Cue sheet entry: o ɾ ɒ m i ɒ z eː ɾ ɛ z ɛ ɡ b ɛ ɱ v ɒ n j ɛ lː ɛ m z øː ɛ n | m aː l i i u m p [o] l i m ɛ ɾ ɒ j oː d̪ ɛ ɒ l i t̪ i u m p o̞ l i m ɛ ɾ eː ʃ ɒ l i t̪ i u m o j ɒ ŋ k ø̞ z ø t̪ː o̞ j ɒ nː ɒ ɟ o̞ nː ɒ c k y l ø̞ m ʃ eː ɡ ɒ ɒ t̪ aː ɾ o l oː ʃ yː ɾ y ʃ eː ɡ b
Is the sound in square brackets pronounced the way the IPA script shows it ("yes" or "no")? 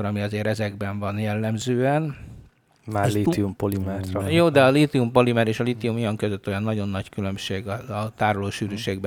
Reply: yes